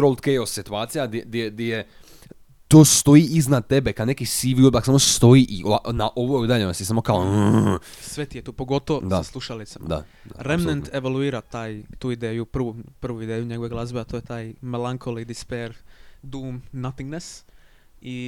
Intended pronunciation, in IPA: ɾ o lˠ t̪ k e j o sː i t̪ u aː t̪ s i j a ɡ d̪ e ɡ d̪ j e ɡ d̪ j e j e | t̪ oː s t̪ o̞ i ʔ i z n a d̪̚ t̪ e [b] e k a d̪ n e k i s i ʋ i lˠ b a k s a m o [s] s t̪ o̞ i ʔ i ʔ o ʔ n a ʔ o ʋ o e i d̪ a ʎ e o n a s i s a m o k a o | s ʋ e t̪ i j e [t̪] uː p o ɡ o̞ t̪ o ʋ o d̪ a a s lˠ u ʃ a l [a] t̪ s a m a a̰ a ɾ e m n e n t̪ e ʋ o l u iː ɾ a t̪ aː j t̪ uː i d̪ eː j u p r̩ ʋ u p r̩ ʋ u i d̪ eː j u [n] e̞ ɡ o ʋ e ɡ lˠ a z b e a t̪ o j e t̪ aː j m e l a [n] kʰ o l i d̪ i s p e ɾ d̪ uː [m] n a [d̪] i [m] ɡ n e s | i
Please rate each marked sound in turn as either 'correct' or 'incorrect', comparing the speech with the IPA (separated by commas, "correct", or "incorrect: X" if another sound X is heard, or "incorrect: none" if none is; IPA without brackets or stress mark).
correct, correct, correct, incorrect: i, incorrect: ɲ, incorrect: ŋ, correct, incorrect: t̪, incorrect: ŋ